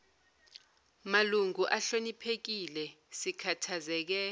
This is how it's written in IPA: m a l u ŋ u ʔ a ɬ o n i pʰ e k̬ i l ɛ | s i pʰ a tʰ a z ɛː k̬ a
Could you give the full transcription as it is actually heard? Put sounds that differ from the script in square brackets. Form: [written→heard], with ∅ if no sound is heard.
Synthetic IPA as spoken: m a l u ŋ u ʔ a ɬ o n i pʰ e k̬ i l ɛ | s i [pʰ→kʰ] a tʰ a z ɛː k̬ [a→ɛ]